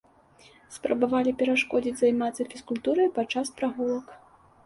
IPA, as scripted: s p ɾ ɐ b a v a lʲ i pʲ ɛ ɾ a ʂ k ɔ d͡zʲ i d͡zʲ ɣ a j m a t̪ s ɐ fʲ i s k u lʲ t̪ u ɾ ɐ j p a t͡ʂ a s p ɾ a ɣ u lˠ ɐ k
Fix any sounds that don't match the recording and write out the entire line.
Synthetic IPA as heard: s p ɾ ɐ b a v a lʲ i pʲ ɛ ɾ a ʂ k ɔ d͡zʲ i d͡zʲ z a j m a t̪ s ɐ fʲ i s k u lʲ t̪ u ɾ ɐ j p a t͡ʂ a s p ɾ a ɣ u lˠ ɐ k